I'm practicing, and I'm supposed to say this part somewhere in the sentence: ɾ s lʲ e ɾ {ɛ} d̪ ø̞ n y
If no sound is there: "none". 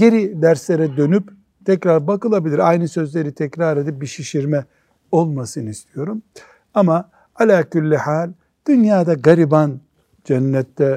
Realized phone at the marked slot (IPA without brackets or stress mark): ɛ